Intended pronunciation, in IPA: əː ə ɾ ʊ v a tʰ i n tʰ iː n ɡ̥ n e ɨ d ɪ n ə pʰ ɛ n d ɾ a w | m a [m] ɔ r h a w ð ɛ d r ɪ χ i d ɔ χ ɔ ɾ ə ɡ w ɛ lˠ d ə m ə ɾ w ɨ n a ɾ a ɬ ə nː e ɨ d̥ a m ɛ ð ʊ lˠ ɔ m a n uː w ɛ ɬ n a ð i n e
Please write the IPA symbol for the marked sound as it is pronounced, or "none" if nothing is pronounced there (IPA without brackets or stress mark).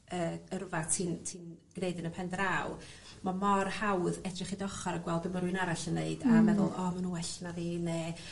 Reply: m